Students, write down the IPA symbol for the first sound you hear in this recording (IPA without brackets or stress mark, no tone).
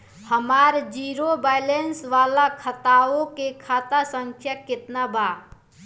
h